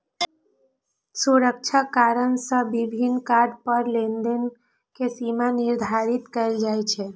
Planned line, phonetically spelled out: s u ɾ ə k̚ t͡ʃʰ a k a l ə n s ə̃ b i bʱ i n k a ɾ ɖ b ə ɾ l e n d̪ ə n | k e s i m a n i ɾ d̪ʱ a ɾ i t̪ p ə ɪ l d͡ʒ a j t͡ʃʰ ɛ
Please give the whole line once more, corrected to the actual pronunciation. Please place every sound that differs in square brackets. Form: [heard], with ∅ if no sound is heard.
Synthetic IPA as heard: s u ɾ ə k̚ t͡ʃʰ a k a [ɾ] ə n s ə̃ b i bʱ i n k a ɾ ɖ [p] ə ɾ l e n d̪ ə n | k e s i m a n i ɾ d̪ʱ a ɾ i t̪ [k] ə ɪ l d͡ʒ a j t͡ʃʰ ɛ